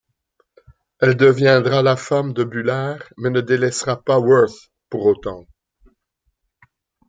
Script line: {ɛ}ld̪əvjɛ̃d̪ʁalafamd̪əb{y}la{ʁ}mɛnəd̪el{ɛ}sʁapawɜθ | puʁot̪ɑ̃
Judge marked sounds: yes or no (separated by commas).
yes, yes, yes, yes